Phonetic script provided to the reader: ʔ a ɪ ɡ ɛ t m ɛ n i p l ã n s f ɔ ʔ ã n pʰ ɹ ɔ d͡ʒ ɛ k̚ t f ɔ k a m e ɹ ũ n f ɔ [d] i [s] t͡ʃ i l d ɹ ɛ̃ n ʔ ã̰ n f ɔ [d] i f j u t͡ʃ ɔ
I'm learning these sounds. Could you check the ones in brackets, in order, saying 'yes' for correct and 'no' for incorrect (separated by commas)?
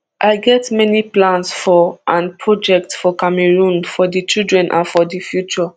yes, no, yes